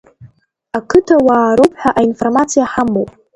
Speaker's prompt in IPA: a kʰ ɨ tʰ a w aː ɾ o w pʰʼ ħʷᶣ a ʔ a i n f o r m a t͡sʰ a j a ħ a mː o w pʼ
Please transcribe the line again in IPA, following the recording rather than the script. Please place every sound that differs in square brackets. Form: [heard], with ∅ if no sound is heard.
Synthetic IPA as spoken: a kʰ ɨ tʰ a w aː ɾ o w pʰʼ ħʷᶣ a ʔ a i n f o r m a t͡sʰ [i] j a ħ a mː o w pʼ